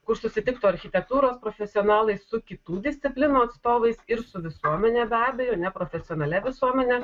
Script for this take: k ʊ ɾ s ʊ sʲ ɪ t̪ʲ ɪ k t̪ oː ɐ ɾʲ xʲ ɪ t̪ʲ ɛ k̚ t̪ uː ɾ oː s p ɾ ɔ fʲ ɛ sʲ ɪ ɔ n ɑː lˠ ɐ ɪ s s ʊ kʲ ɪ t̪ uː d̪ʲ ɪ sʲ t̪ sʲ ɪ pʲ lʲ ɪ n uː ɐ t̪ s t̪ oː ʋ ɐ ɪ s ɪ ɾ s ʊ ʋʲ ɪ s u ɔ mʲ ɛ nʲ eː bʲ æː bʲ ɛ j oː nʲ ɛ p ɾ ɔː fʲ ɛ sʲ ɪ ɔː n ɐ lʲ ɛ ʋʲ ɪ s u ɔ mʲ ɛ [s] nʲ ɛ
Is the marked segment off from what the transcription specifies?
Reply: yes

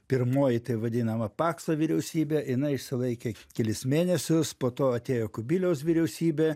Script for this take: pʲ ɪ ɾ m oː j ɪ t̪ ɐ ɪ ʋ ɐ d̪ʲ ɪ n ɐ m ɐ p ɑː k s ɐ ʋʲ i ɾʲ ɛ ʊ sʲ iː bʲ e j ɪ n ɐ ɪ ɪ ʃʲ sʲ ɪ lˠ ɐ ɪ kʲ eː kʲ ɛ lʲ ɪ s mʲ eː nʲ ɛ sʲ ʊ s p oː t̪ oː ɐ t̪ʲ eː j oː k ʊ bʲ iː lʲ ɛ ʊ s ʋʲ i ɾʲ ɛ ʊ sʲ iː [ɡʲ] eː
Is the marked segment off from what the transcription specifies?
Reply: yes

